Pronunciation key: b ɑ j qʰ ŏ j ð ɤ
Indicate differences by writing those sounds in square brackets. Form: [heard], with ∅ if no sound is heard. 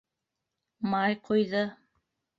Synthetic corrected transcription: [m] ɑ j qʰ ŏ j ð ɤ